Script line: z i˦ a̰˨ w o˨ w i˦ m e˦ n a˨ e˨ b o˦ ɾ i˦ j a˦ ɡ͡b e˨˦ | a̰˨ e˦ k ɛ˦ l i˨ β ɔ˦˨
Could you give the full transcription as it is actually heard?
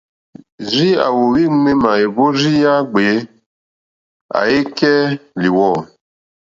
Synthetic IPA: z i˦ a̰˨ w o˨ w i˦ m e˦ m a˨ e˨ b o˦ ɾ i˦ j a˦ ɡ͡b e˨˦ | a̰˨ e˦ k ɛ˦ l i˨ w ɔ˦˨

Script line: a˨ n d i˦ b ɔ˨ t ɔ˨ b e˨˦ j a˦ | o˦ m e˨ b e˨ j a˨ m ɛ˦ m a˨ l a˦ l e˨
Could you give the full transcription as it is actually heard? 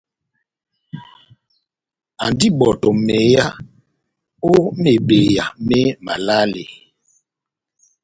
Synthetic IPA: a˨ n d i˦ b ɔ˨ t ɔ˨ m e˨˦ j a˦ | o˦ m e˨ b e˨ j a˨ m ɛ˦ m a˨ l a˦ l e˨

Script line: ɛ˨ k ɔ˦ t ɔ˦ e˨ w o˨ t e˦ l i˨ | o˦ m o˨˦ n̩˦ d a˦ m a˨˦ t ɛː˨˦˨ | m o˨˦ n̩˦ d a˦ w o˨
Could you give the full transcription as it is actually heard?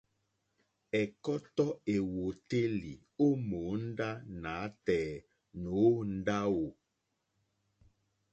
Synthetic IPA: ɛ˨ k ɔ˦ t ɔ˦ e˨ w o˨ t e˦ l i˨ | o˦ m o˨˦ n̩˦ d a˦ n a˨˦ t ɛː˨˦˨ | n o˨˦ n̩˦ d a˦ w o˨

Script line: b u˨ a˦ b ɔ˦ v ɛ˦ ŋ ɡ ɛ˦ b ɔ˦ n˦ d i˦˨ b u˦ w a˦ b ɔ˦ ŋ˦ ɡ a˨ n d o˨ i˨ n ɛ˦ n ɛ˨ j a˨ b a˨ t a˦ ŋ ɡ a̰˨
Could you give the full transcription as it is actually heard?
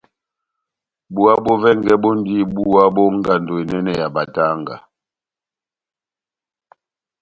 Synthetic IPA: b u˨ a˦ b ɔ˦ v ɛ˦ ŋ ɡ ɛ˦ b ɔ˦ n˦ d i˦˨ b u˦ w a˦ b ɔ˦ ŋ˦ ɡ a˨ n d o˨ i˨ n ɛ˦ n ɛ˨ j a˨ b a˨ t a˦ ŋ ɡ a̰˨

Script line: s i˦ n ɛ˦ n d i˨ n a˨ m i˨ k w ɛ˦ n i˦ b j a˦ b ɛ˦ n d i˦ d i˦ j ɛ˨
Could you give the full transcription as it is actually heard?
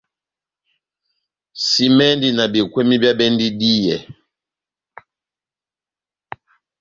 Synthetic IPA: s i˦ m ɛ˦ n d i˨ n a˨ b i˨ k w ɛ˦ m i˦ b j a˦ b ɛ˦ n d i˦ d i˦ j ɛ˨

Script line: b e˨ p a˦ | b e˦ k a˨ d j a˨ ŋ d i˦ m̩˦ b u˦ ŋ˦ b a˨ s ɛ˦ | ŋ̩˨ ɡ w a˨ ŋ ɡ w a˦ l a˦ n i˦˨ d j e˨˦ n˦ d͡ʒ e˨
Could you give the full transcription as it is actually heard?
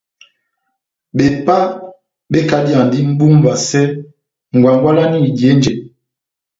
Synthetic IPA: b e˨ p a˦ | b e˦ k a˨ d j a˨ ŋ d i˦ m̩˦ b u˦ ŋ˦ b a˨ s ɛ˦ | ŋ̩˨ ɡ w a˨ ŋ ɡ w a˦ l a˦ n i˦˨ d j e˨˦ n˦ d͡ʒ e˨

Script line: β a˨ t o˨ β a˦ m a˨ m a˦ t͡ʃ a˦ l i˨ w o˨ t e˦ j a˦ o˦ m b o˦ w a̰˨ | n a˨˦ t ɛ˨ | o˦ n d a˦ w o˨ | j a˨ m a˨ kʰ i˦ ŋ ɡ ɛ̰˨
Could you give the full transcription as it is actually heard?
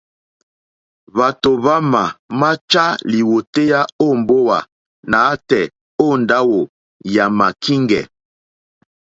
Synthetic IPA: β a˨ t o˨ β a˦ m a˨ m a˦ t͡ʃ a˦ l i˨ w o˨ t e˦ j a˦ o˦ m b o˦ w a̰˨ | n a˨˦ t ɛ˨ | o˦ n d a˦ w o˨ | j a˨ m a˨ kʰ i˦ ŋ ɡ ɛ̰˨

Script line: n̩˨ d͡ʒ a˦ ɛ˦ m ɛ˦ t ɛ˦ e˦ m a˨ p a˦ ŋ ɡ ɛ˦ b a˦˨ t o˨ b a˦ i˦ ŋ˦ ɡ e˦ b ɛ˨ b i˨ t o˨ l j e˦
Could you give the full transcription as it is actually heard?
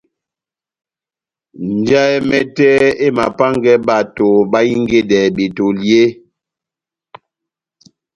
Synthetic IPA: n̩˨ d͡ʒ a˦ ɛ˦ m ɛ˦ t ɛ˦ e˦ m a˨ p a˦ ŋ ɡ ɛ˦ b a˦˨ t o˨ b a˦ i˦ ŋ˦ ɡ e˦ d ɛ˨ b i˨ t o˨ l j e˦

